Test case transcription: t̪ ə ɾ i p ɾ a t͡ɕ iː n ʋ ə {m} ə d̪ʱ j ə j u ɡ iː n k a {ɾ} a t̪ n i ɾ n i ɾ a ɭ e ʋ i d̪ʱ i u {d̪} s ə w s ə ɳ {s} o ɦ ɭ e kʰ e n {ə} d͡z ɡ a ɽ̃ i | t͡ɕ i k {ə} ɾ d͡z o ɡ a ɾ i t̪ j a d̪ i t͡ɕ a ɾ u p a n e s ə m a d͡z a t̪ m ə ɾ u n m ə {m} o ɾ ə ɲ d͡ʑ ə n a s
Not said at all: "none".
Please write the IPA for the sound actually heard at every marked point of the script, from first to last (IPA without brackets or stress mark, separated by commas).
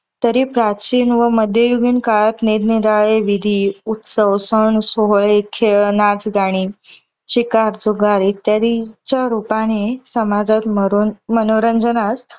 m, ɭ, t̪, s, a, a, n